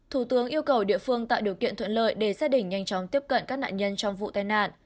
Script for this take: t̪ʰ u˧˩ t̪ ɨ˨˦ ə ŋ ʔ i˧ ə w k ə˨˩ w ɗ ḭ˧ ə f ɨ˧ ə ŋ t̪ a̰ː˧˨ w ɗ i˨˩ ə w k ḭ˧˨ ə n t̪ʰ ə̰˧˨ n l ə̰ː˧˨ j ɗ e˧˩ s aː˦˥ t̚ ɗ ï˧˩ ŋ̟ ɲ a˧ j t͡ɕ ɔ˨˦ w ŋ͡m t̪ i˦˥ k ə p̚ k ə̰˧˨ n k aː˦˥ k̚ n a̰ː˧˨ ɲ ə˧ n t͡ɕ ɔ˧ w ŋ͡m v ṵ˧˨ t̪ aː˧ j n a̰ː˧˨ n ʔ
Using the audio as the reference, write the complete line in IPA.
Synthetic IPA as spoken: t̪ʰ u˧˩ t̪ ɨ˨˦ ə ŋ ʔ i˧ ə w k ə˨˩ w ɗ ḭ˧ ə f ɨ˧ ə ŋ t̪ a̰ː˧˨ w ɗ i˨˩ ə w k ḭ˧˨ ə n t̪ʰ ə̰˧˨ n l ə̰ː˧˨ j ɗ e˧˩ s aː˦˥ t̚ ɗ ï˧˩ ŋ̟ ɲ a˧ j t͡ɕ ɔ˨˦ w ŋ͡m t̪ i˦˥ ə p̚ k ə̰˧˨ n k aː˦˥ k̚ n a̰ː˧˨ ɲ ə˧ n t͡ɕ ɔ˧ w ŋ͡m v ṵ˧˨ t̪ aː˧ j n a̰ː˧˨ n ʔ

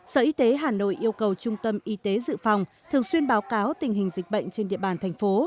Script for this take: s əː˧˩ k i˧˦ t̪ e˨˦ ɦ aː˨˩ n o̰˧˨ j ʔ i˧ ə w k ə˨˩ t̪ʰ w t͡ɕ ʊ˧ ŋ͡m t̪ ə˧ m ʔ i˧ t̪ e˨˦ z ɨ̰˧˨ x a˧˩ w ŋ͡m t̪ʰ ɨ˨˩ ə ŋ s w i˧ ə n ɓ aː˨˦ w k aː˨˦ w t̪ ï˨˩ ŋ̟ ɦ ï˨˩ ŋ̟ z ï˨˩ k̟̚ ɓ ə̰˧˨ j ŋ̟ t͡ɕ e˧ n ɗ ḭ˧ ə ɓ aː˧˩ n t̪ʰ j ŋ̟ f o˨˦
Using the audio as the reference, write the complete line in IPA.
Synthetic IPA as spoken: s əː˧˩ ʔ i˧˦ t̪ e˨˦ ɦ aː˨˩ n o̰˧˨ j ʔ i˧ ə w k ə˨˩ w t͡ɕ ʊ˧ ŋ͡m t̪ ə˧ m ʔ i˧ t̪ e˨˦ z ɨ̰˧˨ f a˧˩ w ŋ͡m t̪ʰ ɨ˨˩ ə ŋ s w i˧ ə n ɓ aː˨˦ w k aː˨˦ w t̪ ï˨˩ ŋ̟ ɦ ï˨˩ ŋ̟ z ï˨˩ k̟̚ ɓ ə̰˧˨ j ŋ̟ t͡ɕ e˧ n ɗ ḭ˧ ə ɓ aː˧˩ n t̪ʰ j ŋ̟ f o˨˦

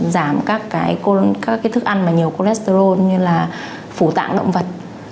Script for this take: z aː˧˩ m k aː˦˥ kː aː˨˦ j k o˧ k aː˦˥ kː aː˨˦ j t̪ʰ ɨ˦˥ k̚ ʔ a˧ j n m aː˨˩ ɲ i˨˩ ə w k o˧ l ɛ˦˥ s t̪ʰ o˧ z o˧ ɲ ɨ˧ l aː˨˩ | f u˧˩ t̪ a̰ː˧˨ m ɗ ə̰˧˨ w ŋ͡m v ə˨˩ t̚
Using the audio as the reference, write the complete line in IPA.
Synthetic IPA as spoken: z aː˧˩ m k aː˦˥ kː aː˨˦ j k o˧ k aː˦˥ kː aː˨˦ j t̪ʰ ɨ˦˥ k̚ ʔ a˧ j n m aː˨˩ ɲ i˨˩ ə w k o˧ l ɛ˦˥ s t̪ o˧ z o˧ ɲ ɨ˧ l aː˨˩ | f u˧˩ t̪ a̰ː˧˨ ŋ ɗ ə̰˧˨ w ŋ͡m v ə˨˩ t̚

